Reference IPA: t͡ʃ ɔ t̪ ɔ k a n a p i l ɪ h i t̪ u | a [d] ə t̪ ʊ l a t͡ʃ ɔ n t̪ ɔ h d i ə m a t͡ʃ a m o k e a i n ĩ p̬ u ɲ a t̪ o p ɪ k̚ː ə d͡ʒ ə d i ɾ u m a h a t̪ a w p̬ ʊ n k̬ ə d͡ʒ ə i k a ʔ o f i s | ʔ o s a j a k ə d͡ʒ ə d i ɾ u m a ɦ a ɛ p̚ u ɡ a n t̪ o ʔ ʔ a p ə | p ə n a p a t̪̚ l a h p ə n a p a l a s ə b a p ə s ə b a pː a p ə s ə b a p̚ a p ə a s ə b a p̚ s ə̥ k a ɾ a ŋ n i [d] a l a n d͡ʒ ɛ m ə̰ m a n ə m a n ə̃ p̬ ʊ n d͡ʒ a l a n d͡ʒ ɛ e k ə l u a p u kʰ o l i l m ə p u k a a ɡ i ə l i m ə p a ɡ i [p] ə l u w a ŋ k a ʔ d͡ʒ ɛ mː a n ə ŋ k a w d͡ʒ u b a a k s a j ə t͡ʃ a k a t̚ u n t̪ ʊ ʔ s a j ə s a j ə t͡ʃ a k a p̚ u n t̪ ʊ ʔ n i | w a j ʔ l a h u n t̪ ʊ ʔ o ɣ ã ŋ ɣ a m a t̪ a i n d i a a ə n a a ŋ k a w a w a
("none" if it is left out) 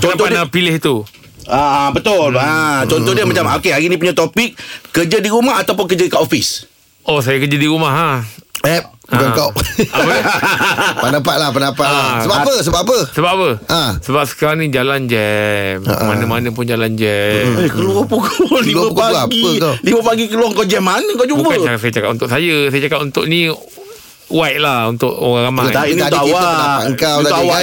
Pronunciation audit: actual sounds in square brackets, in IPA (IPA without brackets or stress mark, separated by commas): b, d͡ʒ, k